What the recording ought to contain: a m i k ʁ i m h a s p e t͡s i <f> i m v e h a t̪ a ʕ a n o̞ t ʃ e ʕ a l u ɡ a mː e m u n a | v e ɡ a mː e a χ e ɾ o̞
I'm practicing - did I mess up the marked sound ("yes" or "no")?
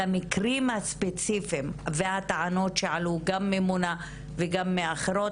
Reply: no